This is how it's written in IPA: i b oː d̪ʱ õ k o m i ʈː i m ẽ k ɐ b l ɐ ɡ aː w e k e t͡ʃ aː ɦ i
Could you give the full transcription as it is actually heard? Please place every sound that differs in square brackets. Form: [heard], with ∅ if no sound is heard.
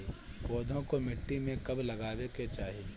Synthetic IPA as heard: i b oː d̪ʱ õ k o m [ɪ] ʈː i m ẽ k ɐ b l ɐ ɡ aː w e k e t͡ʃ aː ɦ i